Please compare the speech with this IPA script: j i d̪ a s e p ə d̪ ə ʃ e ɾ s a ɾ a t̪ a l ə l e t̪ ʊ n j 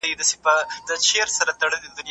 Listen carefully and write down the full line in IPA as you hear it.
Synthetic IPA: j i d̪ a s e p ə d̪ ə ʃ e ɾ s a ɾ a t̪ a ɽ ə l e d̪ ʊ n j